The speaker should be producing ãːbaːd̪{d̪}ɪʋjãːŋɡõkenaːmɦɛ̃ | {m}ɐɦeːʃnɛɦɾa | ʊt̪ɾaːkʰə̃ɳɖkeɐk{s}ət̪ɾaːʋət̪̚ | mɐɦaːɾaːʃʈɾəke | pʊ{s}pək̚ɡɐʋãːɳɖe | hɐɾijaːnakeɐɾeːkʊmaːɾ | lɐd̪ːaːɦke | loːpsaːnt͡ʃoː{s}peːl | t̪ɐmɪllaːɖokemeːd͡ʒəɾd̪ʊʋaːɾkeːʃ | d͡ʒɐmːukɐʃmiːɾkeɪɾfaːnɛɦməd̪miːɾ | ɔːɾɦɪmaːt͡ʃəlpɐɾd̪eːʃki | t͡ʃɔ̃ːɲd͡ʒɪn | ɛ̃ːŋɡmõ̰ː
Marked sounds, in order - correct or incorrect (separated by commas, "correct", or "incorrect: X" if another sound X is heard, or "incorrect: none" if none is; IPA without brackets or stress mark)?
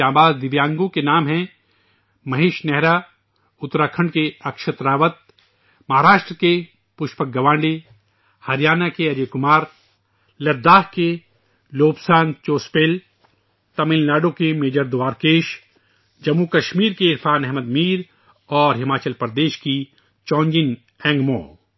correct, correct, incorrect: ʃ, incorrect: ʃ, correct